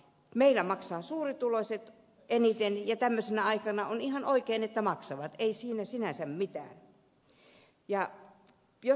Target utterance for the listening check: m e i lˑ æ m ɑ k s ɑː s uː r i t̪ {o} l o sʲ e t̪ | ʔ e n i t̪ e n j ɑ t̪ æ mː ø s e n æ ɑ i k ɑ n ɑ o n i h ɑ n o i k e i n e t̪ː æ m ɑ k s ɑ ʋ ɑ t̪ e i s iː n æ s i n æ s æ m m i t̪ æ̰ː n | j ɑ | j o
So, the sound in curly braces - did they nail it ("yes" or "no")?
no